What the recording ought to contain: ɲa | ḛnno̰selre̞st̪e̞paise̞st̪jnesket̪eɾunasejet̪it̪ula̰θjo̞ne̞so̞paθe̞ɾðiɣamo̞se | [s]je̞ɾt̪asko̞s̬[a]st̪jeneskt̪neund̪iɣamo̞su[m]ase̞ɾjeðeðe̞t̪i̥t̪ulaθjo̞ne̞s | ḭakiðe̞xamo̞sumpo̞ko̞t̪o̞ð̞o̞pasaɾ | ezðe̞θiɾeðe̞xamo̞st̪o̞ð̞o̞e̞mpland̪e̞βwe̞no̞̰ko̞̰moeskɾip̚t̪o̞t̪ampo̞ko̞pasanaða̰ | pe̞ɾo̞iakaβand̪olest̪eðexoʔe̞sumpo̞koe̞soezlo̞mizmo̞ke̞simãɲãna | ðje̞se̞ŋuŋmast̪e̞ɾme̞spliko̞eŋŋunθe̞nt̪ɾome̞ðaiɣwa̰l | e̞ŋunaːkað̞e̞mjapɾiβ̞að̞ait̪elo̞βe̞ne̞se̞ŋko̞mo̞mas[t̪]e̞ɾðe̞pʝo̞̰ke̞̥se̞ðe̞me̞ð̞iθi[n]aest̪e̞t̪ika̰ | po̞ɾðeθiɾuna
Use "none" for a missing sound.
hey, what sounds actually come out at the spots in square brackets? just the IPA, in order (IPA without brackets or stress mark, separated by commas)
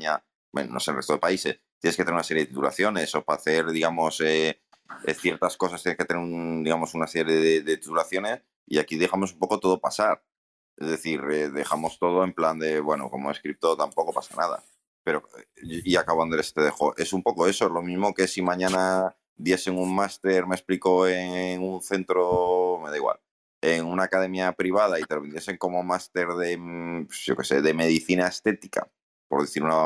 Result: θ, a, n, t̪, n